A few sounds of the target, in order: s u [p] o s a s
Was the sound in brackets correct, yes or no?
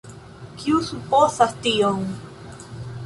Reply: yes